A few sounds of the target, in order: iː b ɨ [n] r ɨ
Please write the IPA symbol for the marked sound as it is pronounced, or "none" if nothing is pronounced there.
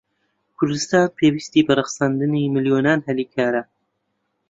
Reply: none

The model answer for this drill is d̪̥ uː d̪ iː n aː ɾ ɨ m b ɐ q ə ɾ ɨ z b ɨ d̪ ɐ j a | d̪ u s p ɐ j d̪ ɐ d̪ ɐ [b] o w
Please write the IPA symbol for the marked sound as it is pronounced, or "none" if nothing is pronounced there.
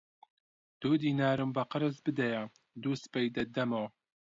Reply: m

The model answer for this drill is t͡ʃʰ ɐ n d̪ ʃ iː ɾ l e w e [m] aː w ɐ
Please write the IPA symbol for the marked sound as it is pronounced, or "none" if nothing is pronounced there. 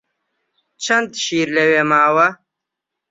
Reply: m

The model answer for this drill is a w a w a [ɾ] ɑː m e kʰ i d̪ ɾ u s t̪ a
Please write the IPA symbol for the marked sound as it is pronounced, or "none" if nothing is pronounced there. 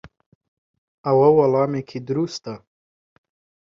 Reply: l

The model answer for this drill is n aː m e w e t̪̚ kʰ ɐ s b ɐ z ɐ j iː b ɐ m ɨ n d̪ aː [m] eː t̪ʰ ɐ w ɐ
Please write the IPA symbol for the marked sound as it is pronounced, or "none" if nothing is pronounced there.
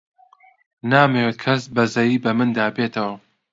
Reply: b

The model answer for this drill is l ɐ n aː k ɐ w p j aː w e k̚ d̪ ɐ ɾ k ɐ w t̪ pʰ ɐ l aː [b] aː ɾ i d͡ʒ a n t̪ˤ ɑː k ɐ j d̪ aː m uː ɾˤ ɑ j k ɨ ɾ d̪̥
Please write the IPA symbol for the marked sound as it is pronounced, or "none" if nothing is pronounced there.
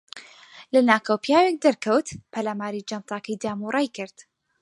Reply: m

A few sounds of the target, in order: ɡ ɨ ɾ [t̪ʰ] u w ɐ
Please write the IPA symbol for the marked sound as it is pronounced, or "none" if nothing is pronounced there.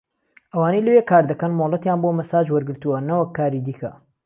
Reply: t̪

